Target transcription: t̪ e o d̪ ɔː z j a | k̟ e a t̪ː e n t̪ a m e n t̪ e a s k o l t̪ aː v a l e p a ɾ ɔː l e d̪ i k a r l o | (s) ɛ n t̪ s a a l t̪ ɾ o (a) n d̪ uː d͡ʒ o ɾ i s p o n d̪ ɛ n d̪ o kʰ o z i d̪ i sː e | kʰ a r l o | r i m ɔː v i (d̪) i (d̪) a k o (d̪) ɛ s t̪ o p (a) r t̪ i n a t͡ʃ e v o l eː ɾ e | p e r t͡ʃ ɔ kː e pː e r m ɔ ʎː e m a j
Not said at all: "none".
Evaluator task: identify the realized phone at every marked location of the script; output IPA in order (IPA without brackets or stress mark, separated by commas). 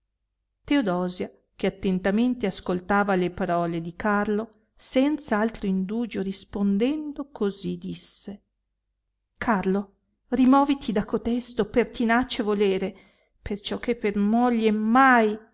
s, i, t̪, d̪, t̪, e